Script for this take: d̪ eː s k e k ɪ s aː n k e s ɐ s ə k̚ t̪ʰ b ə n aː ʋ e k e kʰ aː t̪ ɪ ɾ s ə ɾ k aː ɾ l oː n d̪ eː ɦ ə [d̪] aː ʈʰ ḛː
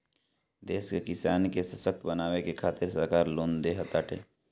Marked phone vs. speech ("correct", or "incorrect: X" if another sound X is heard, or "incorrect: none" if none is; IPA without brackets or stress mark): incorrect: t̪